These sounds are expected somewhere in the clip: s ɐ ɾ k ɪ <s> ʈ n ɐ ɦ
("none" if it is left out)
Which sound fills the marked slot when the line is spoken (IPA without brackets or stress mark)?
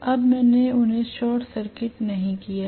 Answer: none